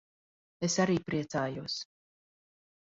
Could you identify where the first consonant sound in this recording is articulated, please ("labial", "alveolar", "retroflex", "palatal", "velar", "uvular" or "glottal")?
alveolar